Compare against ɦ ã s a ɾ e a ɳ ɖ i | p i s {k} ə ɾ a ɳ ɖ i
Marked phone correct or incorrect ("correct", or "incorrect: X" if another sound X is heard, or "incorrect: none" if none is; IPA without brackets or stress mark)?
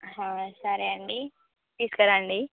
correct